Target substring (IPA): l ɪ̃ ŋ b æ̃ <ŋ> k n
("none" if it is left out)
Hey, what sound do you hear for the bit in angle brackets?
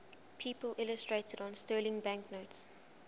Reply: ŋ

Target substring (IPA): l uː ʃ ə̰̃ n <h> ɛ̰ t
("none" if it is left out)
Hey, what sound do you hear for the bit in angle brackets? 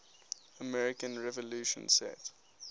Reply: s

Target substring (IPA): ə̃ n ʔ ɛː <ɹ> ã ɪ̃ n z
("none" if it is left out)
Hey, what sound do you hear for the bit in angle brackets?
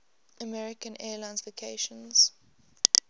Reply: l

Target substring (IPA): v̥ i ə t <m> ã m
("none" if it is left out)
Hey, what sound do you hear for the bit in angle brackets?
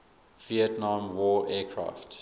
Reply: n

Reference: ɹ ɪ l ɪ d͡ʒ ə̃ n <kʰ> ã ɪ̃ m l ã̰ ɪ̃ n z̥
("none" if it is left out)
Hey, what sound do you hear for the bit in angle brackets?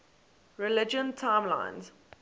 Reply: tʰ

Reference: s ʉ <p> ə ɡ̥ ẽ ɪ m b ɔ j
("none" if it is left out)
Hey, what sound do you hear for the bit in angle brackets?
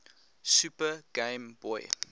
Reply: p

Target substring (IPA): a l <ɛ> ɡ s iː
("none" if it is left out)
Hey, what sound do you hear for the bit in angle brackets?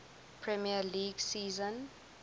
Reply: i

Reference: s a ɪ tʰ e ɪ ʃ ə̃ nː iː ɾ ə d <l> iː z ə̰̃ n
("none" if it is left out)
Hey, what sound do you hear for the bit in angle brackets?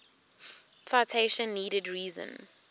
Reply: ɹ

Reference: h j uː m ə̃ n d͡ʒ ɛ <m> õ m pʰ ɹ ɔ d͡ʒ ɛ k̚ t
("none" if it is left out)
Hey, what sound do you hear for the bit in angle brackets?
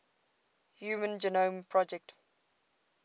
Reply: n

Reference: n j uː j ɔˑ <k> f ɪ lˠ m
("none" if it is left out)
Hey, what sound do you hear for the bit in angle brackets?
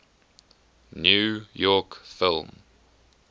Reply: k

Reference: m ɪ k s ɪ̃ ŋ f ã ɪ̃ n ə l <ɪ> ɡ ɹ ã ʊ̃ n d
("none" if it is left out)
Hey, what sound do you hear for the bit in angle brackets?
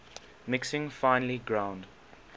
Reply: i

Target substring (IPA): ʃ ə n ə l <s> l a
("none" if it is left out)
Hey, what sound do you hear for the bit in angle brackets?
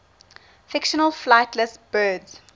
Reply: f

